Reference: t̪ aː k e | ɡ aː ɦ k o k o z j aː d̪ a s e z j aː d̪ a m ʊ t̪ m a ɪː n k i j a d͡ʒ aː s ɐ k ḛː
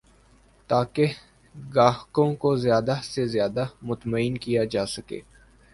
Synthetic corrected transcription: t̪ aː k e | ɡ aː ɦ k õ k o z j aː d̪ a s e z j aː d̪ a m ʊ t̪ m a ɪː n k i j a d͡ʒ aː s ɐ k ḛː